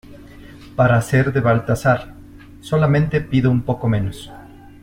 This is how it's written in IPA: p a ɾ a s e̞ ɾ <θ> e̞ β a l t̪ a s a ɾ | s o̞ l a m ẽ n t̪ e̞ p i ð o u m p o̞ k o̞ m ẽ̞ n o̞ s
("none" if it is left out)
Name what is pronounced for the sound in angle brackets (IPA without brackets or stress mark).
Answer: ð